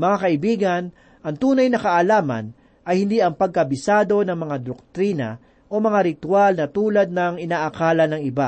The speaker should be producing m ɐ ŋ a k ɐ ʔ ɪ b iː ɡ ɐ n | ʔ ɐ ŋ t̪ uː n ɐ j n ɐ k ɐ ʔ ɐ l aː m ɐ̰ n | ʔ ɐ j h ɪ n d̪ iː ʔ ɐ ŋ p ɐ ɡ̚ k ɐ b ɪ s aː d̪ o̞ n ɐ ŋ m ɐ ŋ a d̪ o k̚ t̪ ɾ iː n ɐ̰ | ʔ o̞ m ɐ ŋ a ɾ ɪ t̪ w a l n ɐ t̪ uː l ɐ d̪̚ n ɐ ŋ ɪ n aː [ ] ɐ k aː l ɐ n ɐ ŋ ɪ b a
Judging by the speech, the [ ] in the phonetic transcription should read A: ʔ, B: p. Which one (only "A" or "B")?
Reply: A